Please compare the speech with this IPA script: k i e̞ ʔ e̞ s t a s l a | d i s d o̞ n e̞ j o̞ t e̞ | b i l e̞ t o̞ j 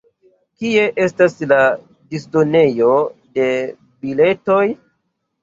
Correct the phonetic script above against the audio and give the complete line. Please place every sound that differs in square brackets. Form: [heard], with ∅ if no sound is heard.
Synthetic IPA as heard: k i e̞ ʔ e̞ s t a s l a | d i s d o̞ n e̞ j o̞ [d] e̞ | b i l e̞ t o̞ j